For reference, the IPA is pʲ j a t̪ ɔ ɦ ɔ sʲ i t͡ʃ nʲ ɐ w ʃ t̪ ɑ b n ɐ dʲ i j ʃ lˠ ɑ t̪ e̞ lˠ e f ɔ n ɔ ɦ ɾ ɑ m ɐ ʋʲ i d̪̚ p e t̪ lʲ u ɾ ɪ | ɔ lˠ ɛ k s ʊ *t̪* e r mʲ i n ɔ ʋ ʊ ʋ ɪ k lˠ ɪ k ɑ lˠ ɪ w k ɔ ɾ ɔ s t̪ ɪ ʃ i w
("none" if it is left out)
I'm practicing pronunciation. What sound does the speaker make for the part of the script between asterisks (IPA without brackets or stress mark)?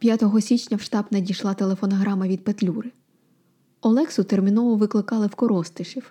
t̪